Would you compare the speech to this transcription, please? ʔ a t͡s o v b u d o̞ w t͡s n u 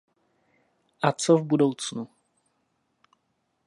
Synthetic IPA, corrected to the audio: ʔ a t͡s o v b u d o̞ w t͡s n u